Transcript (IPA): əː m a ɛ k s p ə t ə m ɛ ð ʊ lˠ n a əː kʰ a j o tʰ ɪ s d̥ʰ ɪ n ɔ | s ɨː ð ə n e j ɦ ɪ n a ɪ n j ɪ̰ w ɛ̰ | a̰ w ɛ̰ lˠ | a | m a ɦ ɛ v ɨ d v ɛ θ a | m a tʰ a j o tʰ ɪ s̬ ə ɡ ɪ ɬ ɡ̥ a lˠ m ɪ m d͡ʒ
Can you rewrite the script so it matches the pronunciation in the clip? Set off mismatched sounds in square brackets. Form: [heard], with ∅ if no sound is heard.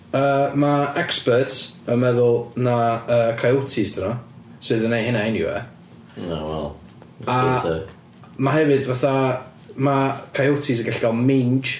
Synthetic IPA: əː m a ɛ k s p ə t ə m ɛ ð ʊ lˠ n a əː kʰ a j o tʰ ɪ s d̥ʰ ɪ n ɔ | s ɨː ð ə n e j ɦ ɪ n a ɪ n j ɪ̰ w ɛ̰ | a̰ w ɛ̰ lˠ | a | m a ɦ ɛ v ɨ d v [a] θ a | m a [kʰ] a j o tʰ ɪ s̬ ə ɡ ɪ ɬ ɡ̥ a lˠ m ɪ [n] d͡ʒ